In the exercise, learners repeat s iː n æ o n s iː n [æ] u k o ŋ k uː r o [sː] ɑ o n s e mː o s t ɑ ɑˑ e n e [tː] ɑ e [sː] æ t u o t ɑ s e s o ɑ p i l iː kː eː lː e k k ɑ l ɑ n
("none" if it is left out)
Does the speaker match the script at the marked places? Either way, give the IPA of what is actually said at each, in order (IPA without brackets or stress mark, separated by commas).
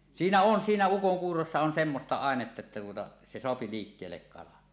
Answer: æ, sː, tː, tː